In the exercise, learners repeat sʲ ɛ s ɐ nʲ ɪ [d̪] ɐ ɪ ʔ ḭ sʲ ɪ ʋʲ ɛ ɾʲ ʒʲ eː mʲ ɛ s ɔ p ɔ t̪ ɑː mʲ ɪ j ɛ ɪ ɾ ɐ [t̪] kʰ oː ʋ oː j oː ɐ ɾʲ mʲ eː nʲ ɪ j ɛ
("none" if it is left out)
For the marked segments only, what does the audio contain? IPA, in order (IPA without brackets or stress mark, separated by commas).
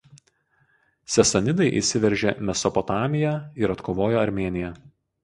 d̪, t̪